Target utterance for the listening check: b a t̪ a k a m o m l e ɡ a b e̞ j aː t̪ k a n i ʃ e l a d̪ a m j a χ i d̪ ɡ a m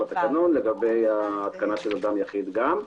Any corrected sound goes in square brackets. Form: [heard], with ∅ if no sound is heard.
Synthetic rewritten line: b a t̪ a k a [n] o [n] l e ɡ a b e̞ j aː t̪ k a n [a] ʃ e l a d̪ a m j a χ i d̪ ɡ a m